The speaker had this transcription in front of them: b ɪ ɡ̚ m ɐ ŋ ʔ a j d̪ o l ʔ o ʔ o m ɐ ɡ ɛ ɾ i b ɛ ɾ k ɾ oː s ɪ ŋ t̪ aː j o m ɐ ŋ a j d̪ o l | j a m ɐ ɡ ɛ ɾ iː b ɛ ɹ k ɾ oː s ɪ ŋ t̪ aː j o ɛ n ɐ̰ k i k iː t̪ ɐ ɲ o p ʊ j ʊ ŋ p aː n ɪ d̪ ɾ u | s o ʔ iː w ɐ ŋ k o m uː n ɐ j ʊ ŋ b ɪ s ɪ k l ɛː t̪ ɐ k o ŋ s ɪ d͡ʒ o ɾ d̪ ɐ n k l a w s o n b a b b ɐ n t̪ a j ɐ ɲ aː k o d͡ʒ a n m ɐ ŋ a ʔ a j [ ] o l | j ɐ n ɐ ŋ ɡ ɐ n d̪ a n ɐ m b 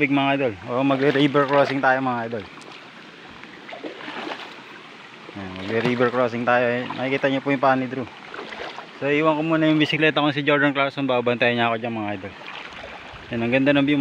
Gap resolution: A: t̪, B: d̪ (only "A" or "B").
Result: B